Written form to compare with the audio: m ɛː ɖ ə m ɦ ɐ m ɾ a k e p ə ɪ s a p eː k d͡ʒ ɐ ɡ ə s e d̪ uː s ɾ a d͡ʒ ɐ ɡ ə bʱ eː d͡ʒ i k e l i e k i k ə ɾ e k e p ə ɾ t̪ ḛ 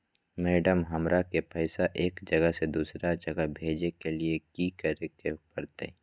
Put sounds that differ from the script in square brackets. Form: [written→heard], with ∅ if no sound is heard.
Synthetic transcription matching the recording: m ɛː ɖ ə m ɦ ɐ m ɾ a k e p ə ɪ s a [p→ʔ] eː k d͡ʒ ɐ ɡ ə s e d̪ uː s ɾ a d͡ʒ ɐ ɡ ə bʱ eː d͡ʒ [i→e] k e l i e k i k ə ɾ e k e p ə ɾ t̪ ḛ